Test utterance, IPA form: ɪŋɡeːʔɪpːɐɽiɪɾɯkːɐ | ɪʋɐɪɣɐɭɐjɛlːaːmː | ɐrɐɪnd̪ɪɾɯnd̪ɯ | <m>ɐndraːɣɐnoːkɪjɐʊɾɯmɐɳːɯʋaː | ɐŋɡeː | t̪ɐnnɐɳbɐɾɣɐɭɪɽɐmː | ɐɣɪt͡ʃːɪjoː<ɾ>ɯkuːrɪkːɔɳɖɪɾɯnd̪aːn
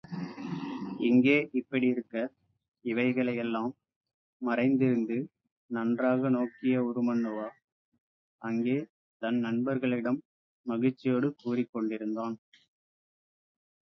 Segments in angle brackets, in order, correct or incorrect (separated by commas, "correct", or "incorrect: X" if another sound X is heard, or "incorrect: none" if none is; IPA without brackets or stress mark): incorrect: n, incorrect: ɽ